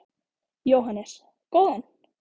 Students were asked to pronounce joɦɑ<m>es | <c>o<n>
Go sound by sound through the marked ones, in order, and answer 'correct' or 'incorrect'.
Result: incorrect, incorrect, correct

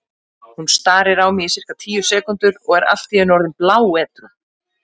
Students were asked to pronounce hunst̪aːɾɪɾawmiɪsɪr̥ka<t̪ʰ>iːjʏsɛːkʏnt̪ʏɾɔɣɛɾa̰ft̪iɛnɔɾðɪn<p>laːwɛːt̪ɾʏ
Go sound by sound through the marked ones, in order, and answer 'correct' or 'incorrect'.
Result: correct, correct

